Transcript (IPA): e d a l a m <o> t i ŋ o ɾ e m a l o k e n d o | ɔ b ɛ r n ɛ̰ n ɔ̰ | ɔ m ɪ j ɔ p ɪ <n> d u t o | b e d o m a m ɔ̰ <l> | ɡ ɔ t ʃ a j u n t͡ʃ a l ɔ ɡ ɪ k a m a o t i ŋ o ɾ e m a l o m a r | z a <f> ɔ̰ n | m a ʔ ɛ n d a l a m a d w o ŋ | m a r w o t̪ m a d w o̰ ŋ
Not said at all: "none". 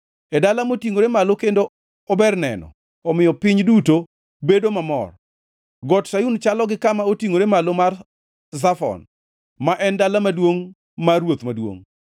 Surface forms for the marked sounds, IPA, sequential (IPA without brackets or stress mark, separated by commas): o, ɲ, r, f